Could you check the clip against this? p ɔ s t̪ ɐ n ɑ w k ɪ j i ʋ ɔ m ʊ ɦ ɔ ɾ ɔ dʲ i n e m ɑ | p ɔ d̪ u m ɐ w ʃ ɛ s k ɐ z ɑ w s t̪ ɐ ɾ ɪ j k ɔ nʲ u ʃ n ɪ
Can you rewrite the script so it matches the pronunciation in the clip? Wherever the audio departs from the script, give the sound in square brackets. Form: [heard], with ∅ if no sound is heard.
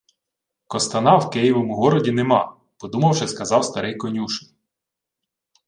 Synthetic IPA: [k] ɔ s t̪ ɐ n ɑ w k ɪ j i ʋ ɔ m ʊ ɦ ɔ ɾ ɔ dʲ i n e m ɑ | p ɔ d̪ u m ɐ w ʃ ɛ s k ɐ z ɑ w s t̪ ɐ ɾ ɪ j k ɔ nʲ u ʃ n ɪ